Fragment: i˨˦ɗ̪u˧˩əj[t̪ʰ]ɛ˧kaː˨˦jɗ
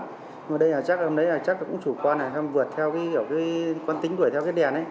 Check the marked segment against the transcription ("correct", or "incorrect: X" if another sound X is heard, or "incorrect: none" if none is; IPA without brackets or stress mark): correct